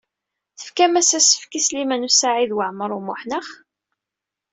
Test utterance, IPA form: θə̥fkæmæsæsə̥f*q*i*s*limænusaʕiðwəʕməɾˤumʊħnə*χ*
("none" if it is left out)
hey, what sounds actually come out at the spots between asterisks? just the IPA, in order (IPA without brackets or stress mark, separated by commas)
k, s, χ